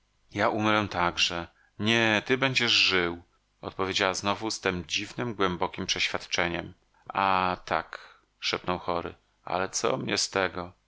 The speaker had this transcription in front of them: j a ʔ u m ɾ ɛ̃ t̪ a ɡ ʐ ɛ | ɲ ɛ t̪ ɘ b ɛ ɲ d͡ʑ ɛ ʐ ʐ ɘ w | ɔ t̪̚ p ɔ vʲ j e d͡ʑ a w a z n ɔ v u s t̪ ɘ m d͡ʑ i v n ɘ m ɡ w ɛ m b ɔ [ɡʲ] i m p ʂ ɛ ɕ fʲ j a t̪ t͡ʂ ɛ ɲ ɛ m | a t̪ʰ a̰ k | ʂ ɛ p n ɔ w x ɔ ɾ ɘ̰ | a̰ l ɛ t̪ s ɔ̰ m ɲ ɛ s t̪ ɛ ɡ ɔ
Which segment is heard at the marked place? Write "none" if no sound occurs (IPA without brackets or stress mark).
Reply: kʲ